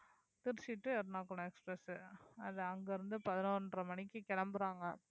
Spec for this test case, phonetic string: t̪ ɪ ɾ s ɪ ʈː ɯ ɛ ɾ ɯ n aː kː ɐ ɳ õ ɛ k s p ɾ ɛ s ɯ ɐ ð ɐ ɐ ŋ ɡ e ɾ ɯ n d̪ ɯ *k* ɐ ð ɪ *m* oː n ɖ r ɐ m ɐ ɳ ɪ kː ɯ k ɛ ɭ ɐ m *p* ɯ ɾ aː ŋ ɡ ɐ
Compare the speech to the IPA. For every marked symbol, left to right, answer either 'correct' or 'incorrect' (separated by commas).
incorrect, incorrect, incorrect